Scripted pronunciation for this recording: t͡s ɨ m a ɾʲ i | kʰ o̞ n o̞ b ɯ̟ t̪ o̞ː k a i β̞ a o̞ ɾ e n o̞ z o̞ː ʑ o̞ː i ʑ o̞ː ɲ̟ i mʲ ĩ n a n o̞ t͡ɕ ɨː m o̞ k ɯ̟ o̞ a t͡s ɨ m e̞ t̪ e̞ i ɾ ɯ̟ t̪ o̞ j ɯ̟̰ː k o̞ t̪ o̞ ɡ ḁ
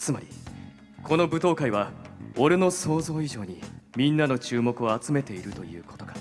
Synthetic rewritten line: t͡s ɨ m a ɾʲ i | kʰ o̞ n o̞ b ɯ̟ t̪ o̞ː k a i β̞ a o̞ ɾ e n o̞ s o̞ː z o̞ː i ʑ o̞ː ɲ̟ i mʲ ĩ nː a n o̞ t͡ɕ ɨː m o̞ k ɯ̟ o̞ a t͡s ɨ m e̞ t̪ e̞ i ɾ ɯ̟ t̪ o̞ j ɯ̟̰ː k o̞ t̪ o̞ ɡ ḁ